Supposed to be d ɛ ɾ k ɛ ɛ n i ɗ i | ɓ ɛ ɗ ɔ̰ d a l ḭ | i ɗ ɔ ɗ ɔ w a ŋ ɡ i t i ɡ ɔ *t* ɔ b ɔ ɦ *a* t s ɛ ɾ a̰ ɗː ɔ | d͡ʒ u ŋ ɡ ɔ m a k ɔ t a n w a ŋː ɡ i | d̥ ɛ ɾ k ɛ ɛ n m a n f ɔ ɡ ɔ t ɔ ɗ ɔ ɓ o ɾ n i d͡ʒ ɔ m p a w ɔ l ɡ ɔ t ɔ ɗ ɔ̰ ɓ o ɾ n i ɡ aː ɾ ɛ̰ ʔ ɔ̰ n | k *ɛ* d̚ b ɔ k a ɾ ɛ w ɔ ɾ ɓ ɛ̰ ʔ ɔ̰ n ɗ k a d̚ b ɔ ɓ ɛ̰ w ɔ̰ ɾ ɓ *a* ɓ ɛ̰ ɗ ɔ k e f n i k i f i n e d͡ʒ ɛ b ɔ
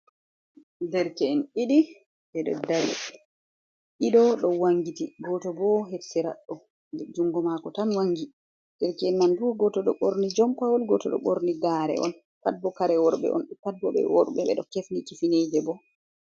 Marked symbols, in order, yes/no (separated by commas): yes, no, no, no